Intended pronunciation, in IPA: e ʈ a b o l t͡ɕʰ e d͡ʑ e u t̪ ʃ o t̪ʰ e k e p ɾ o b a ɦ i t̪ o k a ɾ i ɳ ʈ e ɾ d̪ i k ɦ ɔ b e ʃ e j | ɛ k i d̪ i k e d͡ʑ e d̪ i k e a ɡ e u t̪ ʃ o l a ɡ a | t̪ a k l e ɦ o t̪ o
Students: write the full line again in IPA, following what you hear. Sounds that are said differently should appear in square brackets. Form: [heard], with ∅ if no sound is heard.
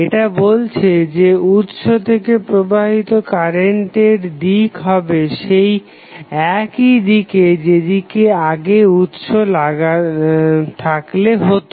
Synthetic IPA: e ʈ a b o l t͡ɕʰ e d͡ʑ e u t̪ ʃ o t̪ʰ e k e p ɾ o b a ɦ i t̪ o k a ɾ [e] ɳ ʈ e ɾ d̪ i k ɦ ɔ b e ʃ e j | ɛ k i d̪ i k e d͡ʑ e d̪ i k e a ɡ e u t̪ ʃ o l a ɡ a | [t̪ʰ] a k l e ɦ o t̪ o